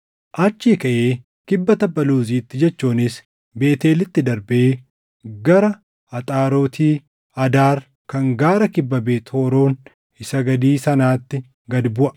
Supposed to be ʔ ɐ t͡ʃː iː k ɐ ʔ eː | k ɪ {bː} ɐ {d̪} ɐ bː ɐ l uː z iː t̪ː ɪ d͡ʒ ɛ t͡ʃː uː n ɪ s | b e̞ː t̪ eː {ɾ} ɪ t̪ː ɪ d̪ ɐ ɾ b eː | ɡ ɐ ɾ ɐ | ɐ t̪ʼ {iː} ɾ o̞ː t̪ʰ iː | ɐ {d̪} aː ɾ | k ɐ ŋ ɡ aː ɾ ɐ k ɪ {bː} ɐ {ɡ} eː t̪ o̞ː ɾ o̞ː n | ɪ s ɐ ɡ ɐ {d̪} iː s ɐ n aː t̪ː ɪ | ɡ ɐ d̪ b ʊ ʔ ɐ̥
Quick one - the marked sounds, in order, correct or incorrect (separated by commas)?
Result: correct, incorrect, incorrect, incorrect, correct, correct, incorrect, correct